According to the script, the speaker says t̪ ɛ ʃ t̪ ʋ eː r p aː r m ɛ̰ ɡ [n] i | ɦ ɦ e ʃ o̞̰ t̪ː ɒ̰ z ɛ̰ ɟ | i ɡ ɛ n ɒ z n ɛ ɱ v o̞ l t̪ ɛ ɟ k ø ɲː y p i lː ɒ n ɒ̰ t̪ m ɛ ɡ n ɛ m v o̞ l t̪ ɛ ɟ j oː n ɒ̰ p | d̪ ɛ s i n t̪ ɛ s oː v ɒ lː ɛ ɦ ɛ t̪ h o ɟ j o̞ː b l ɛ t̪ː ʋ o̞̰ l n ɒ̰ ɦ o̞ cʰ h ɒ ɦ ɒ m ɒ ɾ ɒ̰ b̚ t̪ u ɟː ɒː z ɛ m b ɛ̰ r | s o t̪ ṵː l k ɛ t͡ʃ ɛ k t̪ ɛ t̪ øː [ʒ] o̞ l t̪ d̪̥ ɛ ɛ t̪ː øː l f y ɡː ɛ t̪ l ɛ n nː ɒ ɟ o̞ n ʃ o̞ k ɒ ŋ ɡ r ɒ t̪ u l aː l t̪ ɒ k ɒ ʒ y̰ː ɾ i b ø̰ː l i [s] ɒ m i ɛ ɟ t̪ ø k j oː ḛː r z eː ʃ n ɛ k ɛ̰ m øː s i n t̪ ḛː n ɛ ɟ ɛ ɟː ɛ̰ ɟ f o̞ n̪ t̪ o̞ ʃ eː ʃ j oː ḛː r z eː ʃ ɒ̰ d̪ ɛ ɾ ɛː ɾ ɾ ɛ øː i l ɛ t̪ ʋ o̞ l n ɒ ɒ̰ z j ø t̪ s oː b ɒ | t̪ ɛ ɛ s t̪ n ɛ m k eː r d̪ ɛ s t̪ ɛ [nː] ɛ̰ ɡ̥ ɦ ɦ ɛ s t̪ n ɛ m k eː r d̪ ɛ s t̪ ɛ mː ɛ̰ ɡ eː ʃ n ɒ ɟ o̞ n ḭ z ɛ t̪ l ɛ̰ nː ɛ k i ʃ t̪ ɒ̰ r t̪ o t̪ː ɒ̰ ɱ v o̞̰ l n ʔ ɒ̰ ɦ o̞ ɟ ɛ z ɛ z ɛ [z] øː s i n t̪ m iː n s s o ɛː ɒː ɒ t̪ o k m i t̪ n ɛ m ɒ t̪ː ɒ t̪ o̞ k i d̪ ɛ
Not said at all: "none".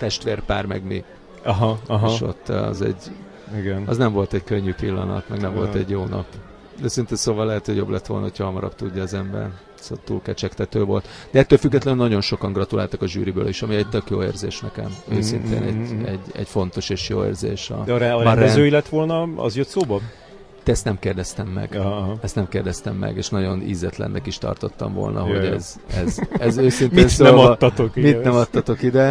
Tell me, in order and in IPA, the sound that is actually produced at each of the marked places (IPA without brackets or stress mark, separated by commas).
m, v, ʃ, mː, z